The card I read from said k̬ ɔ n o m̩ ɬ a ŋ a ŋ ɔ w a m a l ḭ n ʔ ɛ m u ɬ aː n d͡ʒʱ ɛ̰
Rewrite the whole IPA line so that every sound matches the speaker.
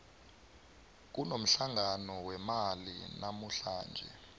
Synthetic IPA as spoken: k̬ u n o m̩ ɬ a ŋ a n ɔ w ɛ m a l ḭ n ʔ a m u ɬ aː n d͡ʒʱ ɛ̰